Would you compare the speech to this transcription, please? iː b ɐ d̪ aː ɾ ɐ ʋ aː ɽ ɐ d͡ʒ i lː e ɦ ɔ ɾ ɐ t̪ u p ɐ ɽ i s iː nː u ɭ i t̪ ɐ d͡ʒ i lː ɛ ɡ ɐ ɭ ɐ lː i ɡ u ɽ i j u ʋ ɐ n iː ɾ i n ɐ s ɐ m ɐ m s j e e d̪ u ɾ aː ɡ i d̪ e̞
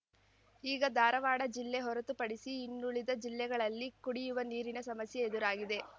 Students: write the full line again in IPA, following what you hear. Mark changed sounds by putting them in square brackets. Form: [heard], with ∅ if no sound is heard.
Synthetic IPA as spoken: iː [ɡ] ɐ d̪ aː ɾ ɐ ʋ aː ɽ ɐ d͡ʒ i lː e ɦ ɔ ɾ ɐ t̪ u p ɐ ɽ i s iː nː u ɭ i [d̪] ɐ d͡ʒ i lː ɛ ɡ ɐ ɭ ɐ lː i [k] u ɽ i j u ʋ ɐ n iː ɾ i n ɐ s ɐ m ɐ [∅] s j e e d̪ u ɾ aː ɡ i d̪ e̞